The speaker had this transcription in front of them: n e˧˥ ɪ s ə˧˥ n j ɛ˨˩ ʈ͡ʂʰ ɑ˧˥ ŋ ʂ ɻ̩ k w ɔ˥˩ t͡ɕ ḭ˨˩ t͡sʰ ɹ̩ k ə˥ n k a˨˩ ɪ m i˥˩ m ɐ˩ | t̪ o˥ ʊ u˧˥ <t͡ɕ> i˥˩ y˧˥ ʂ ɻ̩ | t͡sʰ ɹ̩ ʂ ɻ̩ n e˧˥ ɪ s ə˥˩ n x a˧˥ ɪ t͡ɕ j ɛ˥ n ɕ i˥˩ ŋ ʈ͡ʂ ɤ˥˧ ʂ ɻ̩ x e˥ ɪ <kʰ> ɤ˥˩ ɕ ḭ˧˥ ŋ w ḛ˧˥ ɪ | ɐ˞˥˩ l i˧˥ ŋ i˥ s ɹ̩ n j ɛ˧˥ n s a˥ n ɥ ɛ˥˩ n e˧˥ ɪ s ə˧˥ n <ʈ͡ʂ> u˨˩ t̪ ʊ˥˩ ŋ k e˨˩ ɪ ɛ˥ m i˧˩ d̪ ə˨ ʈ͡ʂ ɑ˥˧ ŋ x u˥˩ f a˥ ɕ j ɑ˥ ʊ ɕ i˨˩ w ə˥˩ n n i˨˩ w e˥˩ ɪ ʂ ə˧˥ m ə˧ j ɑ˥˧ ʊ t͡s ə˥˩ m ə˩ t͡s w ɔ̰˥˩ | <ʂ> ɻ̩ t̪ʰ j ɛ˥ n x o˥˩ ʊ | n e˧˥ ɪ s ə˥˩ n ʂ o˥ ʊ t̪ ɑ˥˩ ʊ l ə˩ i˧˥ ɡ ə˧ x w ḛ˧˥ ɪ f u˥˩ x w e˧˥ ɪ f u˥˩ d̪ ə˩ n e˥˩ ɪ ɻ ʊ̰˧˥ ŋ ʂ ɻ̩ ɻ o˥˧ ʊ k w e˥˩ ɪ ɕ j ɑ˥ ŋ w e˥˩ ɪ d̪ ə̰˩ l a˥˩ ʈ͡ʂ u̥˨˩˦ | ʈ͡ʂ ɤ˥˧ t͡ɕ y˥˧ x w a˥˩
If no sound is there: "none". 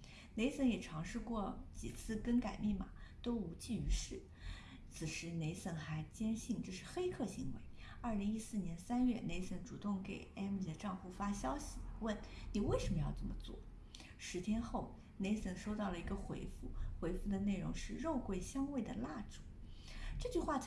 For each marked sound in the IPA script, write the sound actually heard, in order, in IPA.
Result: t͡ɕ, kʰ, ʈ͡ʂ, ʂ

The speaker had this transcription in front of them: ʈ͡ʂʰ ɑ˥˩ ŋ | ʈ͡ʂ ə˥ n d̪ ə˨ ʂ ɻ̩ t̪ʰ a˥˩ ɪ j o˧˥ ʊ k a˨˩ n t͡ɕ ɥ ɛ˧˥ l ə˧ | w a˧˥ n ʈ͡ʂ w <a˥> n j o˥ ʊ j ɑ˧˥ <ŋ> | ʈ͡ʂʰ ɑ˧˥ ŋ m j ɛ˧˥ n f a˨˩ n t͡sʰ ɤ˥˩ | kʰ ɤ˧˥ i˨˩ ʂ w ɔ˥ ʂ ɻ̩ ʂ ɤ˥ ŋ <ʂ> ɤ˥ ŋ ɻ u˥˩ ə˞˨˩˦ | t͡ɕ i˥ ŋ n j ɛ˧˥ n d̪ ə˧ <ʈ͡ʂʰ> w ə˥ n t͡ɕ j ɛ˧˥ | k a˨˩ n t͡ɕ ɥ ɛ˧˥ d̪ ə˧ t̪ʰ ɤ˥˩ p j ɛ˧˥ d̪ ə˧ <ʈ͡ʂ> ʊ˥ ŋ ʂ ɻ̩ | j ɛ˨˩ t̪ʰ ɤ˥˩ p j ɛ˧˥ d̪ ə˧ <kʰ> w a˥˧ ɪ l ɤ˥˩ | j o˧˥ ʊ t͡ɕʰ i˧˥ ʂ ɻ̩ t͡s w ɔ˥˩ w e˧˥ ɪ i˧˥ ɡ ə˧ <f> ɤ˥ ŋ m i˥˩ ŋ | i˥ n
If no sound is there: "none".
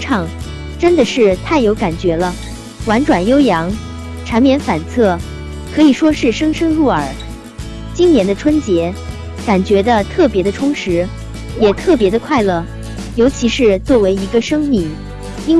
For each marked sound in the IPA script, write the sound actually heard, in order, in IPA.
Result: a˨˩, ŋ, ʂ, ʈ͡ʂʰ, ʈ͡ʂʰ, kʰ, ʂ

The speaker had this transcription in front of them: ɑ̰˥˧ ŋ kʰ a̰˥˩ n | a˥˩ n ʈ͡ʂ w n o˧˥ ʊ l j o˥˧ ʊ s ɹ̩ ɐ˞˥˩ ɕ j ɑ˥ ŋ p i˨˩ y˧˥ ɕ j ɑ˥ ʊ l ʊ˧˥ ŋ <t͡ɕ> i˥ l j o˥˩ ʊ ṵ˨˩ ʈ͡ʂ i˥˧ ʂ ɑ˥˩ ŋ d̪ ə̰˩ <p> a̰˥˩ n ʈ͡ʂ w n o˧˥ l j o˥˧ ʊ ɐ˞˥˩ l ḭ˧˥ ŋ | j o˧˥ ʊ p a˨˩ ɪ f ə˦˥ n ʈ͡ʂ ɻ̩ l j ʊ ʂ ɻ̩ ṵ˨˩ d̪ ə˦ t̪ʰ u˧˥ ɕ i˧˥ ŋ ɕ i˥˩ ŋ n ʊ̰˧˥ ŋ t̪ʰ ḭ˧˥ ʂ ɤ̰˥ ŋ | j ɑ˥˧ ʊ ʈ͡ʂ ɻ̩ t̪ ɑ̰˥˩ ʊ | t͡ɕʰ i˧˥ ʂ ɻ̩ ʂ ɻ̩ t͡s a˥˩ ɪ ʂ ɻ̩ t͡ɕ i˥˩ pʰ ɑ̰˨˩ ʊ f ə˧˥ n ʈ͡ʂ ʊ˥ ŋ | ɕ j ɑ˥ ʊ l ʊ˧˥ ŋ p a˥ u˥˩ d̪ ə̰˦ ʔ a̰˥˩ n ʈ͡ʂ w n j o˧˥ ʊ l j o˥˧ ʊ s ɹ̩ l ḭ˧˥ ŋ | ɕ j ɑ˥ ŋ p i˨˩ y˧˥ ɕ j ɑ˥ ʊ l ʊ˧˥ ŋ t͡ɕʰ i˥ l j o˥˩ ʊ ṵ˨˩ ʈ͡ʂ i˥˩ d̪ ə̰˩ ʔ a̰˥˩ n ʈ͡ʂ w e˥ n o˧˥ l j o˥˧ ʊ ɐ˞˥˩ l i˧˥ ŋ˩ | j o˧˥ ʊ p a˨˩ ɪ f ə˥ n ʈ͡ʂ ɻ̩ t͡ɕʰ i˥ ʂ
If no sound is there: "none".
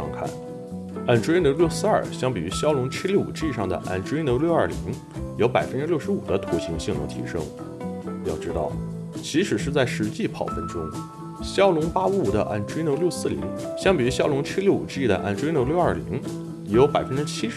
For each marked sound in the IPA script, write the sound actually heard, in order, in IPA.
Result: t͡ɕʰ, ʔ

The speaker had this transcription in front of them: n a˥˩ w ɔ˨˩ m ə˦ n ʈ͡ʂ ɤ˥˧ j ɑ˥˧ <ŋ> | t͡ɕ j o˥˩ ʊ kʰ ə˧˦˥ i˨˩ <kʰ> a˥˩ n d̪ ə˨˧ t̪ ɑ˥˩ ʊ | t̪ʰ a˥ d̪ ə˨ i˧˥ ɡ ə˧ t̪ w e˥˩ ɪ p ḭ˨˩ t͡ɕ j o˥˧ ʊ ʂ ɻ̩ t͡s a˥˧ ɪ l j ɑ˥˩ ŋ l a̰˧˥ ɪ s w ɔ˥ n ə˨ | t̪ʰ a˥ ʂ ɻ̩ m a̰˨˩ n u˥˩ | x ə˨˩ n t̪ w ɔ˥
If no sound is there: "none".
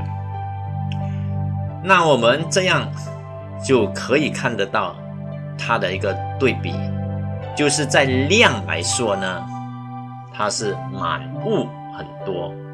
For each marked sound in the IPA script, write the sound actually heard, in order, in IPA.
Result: ŋ, kʰ

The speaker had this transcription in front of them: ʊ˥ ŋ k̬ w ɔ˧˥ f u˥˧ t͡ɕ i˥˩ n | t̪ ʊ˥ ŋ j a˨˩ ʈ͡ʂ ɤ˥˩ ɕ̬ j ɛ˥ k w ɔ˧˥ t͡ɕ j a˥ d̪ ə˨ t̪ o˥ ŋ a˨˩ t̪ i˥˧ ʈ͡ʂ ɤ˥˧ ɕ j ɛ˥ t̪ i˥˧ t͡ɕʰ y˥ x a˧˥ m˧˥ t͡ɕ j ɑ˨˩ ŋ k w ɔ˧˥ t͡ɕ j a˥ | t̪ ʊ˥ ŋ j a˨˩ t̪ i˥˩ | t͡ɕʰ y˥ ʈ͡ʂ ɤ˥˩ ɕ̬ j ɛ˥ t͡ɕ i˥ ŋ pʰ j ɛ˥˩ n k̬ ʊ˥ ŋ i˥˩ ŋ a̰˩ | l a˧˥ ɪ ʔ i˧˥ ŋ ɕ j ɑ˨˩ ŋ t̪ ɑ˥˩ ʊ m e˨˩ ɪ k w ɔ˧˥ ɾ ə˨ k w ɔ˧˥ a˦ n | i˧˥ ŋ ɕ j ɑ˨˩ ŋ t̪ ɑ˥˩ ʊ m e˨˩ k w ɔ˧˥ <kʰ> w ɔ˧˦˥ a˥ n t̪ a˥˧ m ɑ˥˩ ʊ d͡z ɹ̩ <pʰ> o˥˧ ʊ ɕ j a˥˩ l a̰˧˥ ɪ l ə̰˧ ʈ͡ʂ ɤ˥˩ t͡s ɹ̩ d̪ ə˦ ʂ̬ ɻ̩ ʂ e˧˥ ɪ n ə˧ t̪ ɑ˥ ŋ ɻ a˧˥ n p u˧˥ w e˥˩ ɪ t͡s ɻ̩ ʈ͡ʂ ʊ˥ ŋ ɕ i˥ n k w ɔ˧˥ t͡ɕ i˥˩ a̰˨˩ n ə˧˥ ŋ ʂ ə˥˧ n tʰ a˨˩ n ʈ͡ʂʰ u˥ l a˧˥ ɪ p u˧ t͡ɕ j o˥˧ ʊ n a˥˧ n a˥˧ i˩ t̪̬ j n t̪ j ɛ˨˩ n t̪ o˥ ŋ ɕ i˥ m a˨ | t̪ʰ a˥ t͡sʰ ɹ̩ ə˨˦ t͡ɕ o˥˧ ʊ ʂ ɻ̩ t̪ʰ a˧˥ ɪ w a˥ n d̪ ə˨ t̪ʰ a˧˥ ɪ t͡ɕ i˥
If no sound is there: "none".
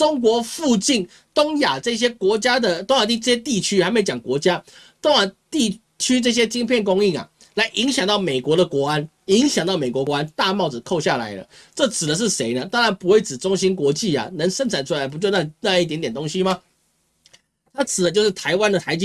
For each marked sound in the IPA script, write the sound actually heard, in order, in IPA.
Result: k, kʰ

